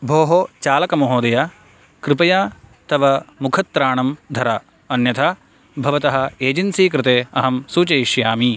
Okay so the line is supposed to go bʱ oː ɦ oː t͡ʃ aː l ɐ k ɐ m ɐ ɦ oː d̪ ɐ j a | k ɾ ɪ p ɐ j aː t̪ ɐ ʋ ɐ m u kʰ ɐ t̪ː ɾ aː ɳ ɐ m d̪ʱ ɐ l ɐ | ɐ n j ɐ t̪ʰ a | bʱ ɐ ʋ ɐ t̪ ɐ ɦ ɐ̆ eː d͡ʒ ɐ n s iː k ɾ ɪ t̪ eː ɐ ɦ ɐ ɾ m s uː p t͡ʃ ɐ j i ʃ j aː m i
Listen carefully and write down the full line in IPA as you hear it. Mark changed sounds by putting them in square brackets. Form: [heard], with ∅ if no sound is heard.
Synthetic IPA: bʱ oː ɦ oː t͡ʃ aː l ɐ k ɐ m ɐ ɦ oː d̪ ɐ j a | k ɾ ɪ p ɐ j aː t̪ ɐ ʋ ɐ m u kʰ ɐ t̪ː ɾ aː ɳ ɐ m d̪ʱ ɐ [ɾ] ɐ | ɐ n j ɐ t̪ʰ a | bʱ ɐ ʋ ɐ t̪ ɐ ɦ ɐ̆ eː d͡ʒ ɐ n s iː k ɾ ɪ t̪ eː ɐ ɦ ɐ [∅] m s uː [∅] t͡ʃ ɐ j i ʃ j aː m i